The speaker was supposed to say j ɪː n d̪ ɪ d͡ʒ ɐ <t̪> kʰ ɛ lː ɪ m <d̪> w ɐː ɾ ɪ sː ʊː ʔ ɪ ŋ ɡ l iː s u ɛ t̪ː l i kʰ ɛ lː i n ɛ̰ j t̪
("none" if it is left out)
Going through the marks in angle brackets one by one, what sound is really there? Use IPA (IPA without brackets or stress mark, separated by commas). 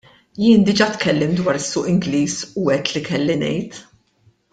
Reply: t̪, d̪